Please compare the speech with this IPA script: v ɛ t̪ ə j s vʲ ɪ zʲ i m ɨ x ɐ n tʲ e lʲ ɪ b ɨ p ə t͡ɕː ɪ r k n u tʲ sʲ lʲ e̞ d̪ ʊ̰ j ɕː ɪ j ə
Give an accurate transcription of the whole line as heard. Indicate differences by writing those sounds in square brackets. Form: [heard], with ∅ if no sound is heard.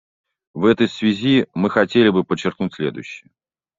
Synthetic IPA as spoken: v ɛ t̪ ə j s vʲ ɪ zʲ i m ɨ x ɐ [∅] tʲ e lʲ ɪ b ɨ p ə t͡ɕː ɪ r k n u tʲ sʲ lʲ e̞ d̪ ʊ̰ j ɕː ɪ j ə